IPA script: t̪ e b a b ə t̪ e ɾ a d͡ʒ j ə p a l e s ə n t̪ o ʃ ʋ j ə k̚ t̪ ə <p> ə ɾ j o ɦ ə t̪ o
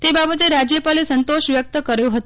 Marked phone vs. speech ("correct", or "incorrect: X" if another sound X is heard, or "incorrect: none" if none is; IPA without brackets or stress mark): incorrect: k